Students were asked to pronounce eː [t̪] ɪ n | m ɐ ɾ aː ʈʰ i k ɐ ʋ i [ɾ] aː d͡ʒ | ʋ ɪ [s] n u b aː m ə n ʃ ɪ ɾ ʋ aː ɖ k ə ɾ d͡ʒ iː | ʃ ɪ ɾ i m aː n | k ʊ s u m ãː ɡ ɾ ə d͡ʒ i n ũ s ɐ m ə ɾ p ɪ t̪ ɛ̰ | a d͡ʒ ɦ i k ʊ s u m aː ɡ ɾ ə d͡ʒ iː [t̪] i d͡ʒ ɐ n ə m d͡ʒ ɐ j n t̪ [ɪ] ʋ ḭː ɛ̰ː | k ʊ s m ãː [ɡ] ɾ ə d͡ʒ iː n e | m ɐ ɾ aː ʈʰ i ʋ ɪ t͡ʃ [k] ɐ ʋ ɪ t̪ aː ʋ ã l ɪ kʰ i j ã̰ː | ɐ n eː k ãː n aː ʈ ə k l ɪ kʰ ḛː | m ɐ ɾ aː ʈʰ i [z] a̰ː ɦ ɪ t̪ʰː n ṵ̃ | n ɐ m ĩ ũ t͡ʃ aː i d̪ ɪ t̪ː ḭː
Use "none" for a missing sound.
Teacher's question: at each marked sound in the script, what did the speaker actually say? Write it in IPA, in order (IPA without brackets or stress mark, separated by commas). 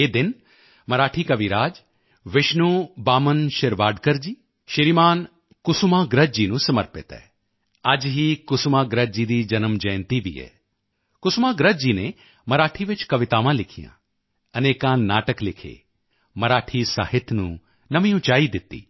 d̪, ɾ, ʃ, d̪, i, ɡ, k, s